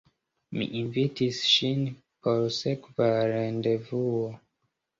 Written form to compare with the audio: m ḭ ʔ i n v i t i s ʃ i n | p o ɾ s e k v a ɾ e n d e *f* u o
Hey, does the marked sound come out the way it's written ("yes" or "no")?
no